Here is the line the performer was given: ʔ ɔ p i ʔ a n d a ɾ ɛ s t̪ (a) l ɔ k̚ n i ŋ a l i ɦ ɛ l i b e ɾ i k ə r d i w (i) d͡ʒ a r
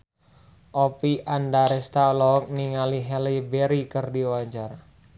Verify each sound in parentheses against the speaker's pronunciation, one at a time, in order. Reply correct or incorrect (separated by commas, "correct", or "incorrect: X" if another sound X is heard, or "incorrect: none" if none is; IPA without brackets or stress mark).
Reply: correct, incorrect: a